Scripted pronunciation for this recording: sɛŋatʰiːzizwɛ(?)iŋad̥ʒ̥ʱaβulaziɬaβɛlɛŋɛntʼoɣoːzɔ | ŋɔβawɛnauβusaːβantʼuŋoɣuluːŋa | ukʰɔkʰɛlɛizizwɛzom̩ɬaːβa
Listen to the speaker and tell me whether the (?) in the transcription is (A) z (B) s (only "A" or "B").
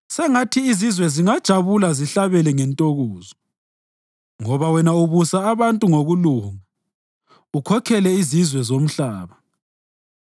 A